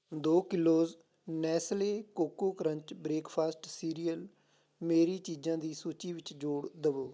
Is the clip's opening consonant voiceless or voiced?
voiced